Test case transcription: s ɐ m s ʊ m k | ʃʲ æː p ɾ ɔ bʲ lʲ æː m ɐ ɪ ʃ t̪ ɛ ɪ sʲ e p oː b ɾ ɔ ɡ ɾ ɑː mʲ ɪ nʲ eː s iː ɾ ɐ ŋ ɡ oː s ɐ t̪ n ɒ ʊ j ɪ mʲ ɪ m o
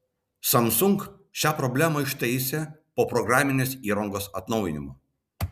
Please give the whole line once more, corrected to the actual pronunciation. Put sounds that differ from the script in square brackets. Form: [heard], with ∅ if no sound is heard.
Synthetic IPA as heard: s ɐ m s ʊ [ŋ] k | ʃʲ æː p ɾ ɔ bʲ lʲ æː m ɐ ɪ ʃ t̪ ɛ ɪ sʲ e p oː [p] ɾ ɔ ɡ ɾ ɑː mʲ ɪ nʲ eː s iː ɾ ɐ ŋ ɡ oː s ɐ t̪ n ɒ ʊ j ɪ [nʲ] ɪ m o